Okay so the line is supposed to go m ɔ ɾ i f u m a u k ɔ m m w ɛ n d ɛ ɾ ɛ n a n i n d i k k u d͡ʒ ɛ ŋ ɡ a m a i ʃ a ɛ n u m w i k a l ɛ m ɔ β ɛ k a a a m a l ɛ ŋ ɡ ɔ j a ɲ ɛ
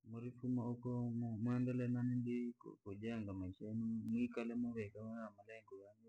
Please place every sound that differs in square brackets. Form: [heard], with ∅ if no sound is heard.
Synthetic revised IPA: m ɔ ɾ i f u m a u k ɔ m m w ɛ n d ɛ [l] ɛ n a n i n d i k k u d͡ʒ ɛ ŋ ɡ a m a i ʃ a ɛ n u m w i k a l ɛ m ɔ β ɛ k a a a m a l ɛ ŋ ɡ ɔ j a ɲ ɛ